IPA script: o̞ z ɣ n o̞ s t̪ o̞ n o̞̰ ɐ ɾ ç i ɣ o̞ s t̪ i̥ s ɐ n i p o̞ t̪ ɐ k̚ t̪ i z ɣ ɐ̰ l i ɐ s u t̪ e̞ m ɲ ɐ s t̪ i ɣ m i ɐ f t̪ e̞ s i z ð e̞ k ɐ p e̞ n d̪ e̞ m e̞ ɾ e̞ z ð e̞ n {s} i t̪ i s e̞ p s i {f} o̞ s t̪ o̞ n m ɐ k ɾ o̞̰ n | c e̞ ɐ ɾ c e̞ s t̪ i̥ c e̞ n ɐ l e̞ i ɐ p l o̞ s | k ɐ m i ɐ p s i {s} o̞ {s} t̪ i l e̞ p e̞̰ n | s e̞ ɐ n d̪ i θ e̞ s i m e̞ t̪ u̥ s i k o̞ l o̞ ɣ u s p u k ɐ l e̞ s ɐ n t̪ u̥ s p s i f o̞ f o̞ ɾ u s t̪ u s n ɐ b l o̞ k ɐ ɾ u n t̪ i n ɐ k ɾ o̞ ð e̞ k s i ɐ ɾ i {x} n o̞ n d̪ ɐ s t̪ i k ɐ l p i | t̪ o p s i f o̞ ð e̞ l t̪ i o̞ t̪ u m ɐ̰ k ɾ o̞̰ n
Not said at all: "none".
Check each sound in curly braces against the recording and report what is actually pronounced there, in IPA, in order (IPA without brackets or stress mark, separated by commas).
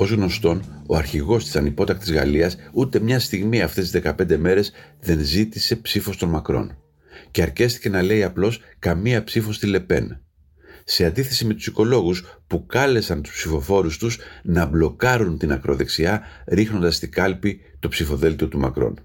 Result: z, f, f, s, x